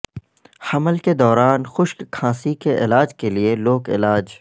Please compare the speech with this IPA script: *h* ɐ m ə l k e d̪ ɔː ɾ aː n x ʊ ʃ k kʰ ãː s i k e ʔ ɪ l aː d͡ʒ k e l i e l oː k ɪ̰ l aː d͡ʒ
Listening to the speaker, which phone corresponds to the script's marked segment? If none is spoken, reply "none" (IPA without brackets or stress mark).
h